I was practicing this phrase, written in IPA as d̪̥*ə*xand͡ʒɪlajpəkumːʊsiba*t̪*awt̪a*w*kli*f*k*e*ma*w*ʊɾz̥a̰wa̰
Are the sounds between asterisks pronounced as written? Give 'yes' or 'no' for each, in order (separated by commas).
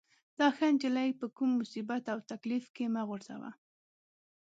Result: no, yes, no, yes, yes, no